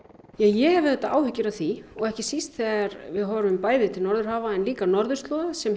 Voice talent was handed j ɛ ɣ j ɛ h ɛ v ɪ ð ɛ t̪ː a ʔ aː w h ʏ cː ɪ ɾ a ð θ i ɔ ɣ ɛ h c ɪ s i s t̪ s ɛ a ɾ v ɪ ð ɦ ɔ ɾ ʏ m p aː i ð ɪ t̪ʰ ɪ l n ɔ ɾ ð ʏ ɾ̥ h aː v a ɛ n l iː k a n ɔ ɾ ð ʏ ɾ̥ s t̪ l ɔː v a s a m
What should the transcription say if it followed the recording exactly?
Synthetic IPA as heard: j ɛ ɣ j ɛ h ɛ v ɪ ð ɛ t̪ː a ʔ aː w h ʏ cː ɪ ɾ a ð θ i ɔ ɣ ɛ h c ɪ s i s t̪ θ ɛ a ɾ v ɪ ð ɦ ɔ ɾ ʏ m p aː j ð ɪ t̪ʰ ɪ l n ɔ ɾ ð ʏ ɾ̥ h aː v a ɛ n l iː k a n ɔ ɾ ð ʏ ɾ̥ s t̪ l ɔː ð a s ɛ m